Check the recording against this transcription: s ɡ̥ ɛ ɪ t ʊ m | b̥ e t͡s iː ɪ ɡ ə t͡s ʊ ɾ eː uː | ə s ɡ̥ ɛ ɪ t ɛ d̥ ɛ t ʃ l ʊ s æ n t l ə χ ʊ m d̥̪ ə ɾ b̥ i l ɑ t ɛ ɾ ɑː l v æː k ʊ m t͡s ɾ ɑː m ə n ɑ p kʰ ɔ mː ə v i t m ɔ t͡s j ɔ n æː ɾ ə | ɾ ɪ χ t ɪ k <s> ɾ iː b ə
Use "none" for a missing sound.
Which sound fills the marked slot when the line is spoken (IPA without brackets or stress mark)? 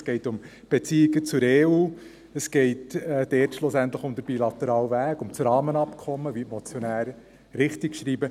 ʃ